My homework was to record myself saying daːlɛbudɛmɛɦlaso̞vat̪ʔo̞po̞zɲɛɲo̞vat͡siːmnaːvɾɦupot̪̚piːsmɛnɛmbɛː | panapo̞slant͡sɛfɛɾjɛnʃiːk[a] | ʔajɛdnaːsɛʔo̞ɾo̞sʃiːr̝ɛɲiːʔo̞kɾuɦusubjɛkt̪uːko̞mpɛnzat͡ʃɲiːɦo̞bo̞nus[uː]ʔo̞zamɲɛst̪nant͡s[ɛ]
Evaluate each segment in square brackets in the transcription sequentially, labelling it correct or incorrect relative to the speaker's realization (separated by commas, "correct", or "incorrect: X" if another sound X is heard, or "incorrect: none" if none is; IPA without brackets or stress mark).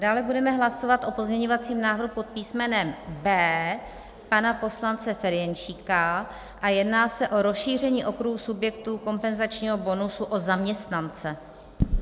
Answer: correct, incorrect: u, correct